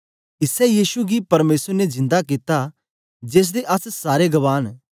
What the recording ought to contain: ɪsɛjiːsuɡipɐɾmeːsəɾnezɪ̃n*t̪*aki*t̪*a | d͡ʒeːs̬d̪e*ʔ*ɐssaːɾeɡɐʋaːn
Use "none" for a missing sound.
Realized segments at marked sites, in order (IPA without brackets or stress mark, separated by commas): d̪, t̪, ʔ